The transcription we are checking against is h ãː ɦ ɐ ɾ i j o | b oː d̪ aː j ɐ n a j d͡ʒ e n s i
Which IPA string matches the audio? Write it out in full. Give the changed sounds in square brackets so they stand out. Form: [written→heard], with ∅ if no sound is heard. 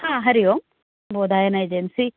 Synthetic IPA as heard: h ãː ɦ ɐ ɾ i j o | b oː d̪ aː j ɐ n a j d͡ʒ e n s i